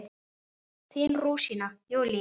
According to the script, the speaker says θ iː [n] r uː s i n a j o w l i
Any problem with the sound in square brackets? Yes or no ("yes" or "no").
no